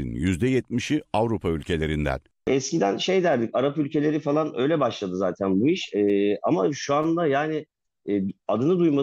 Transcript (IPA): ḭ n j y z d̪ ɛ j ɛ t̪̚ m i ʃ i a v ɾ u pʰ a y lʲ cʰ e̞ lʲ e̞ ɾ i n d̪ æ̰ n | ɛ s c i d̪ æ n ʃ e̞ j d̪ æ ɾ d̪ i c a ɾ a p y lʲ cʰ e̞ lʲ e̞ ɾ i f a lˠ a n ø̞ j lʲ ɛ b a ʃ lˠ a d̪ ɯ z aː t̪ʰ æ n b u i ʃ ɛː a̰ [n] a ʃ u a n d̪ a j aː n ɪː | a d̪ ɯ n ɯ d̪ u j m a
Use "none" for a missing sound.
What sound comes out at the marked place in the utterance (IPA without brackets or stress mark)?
m